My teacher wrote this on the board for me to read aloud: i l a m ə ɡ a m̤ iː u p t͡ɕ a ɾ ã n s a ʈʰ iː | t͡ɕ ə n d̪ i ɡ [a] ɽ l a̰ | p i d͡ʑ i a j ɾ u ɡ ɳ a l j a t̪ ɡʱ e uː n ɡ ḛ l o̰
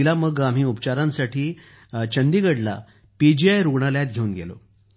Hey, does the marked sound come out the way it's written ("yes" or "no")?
no